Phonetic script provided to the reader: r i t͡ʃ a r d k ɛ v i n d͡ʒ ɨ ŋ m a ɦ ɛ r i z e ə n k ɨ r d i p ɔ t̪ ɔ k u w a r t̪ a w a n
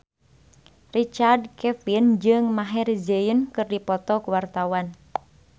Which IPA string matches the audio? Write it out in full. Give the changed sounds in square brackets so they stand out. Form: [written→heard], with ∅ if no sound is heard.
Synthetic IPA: r i t͡ʃ a r d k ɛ [v→f] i n d͡ʒ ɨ ŋ m a ɦ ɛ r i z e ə n k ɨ r d i p ɔ t̪ ɔ k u w a r t̪ a w a n